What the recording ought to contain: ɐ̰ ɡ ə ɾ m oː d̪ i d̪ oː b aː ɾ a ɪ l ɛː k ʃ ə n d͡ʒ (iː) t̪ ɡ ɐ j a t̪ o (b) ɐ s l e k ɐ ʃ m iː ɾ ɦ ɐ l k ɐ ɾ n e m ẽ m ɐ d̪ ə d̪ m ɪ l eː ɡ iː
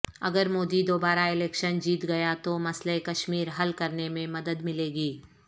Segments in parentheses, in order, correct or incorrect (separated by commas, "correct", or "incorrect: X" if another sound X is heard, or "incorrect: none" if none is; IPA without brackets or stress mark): correct, incorrect: m